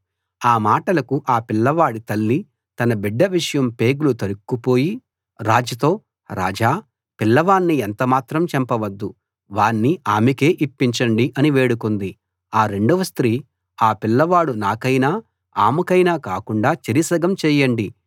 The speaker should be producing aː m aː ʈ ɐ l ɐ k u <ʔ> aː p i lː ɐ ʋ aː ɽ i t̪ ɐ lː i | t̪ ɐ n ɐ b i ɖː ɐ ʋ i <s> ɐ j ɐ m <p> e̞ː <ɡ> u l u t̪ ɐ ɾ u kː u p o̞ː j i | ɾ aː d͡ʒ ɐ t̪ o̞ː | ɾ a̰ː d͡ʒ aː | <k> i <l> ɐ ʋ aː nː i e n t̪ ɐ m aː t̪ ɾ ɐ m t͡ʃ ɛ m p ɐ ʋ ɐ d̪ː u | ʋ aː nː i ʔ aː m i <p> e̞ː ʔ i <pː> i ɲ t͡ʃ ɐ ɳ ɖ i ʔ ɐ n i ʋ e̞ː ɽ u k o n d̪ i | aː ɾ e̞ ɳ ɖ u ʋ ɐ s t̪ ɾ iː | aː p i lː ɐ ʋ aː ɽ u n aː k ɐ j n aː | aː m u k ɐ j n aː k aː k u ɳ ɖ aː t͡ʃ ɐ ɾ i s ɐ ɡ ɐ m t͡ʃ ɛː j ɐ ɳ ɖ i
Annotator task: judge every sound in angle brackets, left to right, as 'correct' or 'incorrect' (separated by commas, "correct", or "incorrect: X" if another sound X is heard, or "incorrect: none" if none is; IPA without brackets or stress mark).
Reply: correct, incorrect: ʂ, correct, correct, incorrect: p, incorrect: lː, incorrect: k, correct